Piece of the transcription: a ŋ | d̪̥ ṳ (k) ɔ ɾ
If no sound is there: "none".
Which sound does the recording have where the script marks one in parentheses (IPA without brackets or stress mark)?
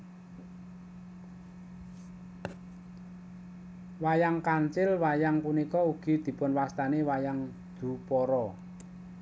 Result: p